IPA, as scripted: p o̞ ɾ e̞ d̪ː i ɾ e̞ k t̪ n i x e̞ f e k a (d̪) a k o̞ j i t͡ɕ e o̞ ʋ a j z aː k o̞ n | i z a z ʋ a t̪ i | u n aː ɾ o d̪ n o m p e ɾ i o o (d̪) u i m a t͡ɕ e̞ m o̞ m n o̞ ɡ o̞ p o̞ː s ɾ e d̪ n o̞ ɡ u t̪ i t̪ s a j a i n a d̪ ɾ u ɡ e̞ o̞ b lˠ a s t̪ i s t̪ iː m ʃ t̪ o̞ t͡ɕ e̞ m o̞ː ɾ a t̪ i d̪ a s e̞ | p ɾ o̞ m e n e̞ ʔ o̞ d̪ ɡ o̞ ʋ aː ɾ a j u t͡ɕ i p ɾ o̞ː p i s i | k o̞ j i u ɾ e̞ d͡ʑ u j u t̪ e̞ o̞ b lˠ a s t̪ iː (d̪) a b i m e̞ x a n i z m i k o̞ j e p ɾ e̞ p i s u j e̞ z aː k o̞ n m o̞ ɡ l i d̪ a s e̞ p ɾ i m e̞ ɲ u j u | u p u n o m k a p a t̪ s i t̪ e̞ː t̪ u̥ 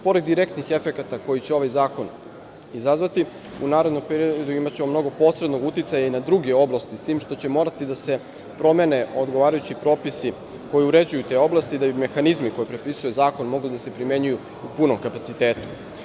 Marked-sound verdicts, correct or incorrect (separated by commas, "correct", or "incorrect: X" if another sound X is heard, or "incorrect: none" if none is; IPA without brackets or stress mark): incorrect: t̪, correct, correct